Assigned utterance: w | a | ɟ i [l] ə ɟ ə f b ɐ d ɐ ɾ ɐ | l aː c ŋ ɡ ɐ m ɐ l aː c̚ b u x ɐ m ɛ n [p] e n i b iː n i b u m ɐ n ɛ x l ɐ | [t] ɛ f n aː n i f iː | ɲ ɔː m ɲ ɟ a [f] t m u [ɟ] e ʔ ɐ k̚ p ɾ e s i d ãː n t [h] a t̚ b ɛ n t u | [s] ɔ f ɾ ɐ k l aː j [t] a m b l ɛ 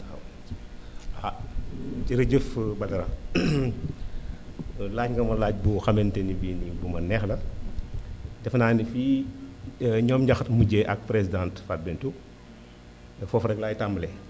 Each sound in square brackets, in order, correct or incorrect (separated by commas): incorrect, incorrect, incorrect, incorrect, correct, incorrect, incorrect, correct